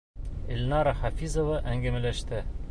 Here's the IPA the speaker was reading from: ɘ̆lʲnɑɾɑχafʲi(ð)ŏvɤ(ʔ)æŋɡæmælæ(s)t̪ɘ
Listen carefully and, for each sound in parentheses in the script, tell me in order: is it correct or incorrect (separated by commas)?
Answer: incorrect, correct, incorrect